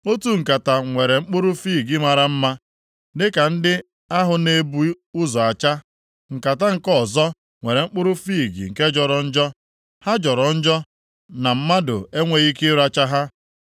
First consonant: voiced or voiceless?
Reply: voiceless